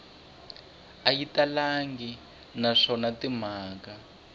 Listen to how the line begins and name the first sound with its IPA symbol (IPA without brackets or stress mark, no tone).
a